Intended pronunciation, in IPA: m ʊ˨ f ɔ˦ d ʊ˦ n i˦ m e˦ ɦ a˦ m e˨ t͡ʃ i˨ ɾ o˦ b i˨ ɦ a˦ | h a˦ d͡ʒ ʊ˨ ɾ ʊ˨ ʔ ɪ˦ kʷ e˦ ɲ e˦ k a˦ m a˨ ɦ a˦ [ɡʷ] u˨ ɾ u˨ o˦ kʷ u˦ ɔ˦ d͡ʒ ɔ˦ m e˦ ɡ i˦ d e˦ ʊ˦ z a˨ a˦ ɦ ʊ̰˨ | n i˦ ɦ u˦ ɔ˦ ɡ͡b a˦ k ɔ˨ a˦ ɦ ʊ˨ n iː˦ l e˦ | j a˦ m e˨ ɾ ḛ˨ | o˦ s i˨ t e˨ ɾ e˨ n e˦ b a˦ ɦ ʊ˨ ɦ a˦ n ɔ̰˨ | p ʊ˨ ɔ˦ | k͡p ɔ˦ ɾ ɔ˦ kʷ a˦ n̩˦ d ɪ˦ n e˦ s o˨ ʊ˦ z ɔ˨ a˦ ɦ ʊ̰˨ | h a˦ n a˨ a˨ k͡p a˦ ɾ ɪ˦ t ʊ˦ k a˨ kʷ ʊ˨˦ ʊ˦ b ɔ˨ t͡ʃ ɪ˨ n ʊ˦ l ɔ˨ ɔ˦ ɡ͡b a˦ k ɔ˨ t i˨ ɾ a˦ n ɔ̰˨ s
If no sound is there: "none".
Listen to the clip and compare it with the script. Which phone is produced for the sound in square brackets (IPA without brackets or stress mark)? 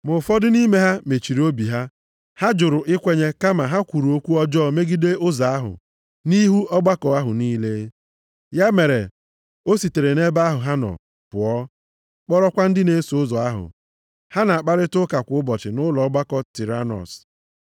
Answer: kʷ